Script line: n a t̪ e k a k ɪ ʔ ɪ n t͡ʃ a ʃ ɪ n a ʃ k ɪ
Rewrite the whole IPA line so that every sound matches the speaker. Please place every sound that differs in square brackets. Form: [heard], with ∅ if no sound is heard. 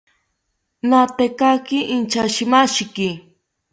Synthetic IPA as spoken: n a t̪ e k a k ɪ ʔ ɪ n t͡ʃ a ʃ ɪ [m] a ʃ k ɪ